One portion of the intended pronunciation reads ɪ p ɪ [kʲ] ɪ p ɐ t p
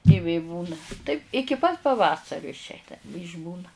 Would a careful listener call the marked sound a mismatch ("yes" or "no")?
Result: no